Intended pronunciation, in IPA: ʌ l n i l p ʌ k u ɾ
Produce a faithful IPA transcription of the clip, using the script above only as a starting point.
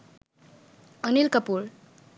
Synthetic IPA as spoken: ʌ n i l k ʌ p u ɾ

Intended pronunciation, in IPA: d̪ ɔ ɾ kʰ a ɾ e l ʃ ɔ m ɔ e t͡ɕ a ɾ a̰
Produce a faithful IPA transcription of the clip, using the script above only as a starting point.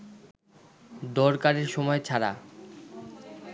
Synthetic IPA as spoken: d̪ ɔ ɾ k a ɾ e ɾ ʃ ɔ m ɔ e t͡ɕʰ a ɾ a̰

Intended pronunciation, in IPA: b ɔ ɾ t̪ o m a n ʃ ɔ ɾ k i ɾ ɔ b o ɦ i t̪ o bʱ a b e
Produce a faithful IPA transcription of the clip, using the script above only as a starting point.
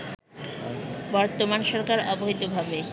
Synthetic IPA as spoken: b ɔ ɾ t̪ o m a n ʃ ɔ ɾ k a ɾ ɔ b o ɦ i t̪ o bʱ a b e

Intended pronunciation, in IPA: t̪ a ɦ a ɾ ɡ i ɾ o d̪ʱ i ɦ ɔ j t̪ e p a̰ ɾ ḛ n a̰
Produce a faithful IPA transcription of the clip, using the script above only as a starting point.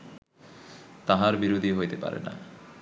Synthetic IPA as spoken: t̪ a ɦ a ɾ b i ɾ o d̪ʱ i ɦ o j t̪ e p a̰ ɾ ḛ n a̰

